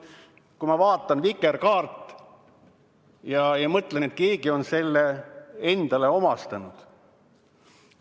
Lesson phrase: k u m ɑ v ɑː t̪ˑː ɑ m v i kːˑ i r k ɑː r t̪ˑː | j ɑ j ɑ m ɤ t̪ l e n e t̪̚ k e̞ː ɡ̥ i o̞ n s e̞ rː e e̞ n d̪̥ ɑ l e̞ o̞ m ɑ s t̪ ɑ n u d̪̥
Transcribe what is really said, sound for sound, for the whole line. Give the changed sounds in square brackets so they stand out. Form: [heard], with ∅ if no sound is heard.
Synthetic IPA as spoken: k u m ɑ v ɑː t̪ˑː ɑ [n] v i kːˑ [e] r k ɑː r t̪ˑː | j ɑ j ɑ m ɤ t̪ l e n e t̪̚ k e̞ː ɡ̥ i o̞ n s e̞ [lː] e e̞ n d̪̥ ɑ l e̞ o̞ m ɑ s t̪ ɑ n u d̪̥